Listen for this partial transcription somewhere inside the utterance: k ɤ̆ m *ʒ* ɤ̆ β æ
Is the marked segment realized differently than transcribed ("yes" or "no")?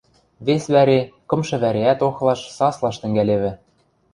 yes